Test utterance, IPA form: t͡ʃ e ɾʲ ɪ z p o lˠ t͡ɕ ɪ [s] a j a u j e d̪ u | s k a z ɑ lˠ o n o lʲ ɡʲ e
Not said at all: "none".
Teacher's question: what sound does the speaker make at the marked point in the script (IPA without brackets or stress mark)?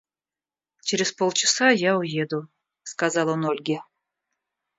s